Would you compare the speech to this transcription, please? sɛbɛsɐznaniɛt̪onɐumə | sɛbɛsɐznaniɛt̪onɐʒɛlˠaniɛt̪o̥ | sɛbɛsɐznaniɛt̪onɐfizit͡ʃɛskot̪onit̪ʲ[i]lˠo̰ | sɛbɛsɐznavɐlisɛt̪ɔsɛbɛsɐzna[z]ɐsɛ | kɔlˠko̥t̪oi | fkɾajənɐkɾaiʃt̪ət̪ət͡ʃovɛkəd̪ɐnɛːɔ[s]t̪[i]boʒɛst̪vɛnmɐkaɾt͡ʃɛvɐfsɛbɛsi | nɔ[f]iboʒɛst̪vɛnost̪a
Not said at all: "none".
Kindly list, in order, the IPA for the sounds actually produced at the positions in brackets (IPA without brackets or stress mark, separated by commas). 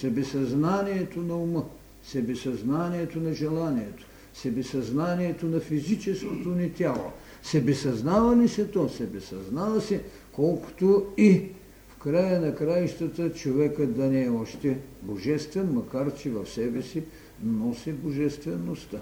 a, v, ʃ, ɛ, s